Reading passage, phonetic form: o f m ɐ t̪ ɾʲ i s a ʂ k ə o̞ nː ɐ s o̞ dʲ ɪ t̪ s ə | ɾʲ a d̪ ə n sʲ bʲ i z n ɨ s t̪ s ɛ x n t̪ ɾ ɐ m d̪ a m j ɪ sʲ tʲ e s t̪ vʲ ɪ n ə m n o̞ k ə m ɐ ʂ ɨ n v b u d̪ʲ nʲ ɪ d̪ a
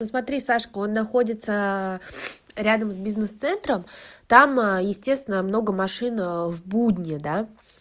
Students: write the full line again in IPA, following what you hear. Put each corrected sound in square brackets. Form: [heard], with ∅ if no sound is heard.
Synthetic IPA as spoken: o [s] m ɐ t̪ ɾʲ i s a ʂ k ə o̞ nː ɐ [x] o̞ dʲ ɪ t̪ s ə | ɾʲ a d̪ ə [m] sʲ bʲ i z n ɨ s t̪ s ɛ [∅] n t̪ ɾ [ə] m [t̪] a m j ɪ sʲ tʲ e s t̪ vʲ ɪ n ə m n o̞ [ɡ] ə m ɐ ʂ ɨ n v b u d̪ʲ nʲ ɪ d̪ a

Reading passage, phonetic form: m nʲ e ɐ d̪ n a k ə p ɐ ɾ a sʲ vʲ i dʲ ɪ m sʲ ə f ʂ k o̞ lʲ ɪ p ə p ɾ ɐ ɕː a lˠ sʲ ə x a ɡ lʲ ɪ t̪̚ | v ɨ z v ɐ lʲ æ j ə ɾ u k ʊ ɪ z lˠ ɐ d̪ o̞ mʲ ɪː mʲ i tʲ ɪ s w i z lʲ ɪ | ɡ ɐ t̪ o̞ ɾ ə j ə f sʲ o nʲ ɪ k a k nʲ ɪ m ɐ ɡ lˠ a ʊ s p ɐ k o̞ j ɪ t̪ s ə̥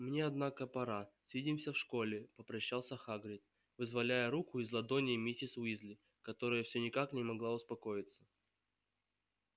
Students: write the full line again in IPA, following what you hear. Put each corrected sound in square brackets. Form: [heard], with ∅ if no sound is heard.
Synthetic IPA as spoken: m nʲ e ɐ d̪ n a k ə p ɐ ɾ a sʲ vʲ i dʲ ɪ m sʲ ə f ʂ k o̞ lʲ ɪ p ə p ɾ ɐ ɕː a lˠ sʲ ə x a ɡ [ɾʲ] ɪ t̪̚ | v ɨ z v ɐ lʲ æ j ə ɾ u k ʊ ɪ z lˠ ɐ d̪ o̞ [nʲ] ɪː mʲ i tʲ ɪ s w i z lʲ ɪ | [k] ɐ t̪ o̞ ɾ ə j ə f sʲ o nʲ ɪ k a k nʲ ɪ m ɐ ɡ lˠ a ʊ s p ɐ k o̞ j ɪ t̪ s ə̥

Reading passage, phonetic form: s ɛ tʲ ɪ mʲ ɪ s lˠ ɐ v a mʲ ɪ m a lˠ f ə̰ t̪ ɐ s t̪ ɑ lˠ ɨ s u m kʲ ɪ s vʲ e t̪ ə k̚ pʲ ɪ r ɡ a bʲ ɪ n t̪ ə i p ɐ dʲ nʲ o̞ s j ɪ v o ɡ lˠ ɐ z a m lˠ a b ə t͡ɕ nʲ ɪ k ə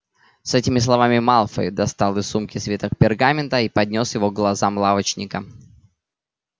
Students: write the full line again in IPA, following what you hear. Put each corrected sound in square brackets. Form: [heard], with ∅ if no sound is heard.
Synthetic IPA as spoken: s ɛ tʲ ɪ mʲ ɪ s lˠ ɐ v a mʲ ɪ m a lˠ f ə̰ [d̪] ɐ s t̪ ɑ lˠ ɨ s u m kʲ ɪ s vʲ e t̪ ə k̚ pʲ ɪ r ɡ a [mʲ] ɪ n t̪ ə i p ɐ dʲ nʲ o̞ s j ɪ v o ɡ lˠ ɐ z a m lˠ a [v] ə t͡ɕ nʲ ɪ k ə

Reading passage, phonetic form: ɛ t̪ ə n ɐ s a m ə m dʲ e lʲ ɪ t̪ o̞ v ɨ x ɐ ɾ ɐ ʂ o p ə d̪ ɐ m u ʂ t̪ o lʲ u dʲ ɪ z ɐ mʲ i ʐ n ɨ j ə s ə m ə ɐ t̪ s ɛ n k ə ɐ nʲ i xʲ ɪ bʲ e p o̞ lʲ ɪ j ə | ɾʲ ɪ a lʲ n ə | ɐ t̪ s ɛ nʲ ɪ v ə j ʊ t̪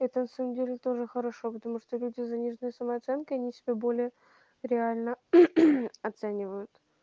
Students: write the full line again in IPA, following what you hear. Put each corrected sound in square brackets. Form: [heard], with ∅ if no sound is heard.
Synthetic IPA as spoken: ɛ t̪ ə n ɐ s a m ə m dʲ e lʲ ɪ t̪ o̞ [ʐ] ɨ x [ə] ɾ ɐ ʂ o p ə [t̪] ɐ m u ʂ t̪ o lʲ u dʲ ɪ z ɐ [nʲ] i ʐ n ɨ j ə s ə m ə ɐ t̪ s ɛ n k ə ɐ nʲ i [sʲ] ɪ bʲ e [b] o̞ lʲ ɪ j ə | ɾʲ ɪ a lʲ n ə | ɐ t̪ s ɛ nʲ ɪ v ə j ʊ t̪

